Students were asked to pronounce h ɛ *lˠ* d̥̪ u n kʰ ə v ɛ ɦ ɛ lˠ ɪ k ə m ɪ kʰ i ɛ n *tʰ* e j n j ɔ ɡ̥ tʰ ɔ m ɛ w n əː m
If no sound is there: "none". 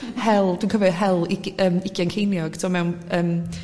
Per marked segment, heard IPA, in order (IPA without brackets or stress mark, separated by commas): lˠ, kʰ